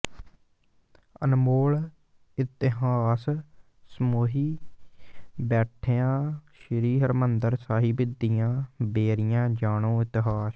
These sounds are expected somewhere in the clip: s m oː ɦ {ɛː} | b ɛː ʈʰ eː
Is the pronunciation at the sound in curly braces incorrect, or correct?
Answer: incorrect: iː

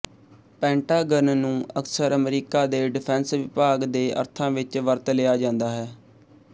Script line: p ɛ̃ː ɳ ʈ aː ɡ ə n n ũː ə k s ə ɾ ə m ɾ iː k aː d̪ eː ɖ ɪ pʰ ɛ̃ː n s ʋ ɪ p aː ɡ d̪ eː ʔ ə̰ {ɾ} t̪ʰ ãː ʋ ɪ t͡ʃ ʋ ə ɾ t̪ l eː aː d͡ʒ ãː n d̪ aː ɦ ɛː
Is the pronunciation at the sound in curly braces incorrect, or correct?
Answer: correct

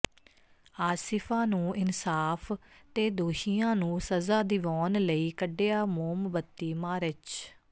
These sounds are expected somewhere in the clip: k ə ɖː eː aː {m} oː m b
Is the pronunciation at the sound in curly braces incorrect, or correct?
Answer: correct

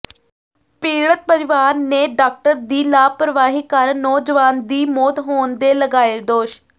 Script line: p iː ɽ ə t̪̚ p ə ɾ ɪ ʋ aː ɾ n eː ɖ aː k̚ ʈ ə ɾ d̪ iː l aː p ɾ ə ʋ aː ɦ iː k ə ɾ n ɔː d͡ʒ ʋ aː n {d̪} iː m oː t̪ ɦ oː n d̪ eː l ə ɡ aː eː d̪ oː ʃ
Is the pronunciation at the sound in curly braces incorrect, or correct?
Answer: correct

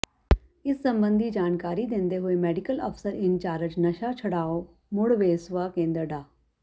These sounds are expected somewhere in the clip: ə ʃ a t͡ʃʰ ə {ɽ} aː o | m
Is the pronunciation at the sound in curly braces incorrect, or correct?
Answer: correct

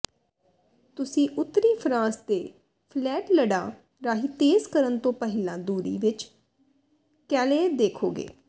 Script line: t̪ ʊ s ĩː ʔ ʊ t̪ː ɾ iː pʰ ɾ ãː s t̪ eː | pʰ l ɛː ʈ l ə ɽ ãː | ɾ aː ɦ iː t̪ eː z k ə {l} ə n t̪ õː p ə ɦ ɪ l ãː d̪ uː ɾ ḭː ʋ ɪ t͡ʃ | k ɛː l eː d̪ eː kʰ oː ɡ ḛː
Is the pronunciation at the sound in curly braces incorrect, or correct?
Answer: incorrect: ɾ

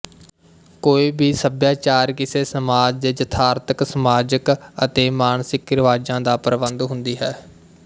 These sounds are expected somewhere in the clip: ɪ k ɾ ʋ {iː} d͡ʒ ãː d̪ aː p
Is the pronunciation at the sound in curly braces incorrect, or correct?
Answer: incorrect: aː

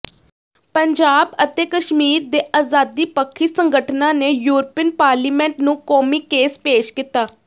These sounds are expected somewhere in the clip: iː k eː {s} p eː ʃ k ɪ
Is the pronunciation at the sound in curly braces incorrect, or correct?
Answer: correct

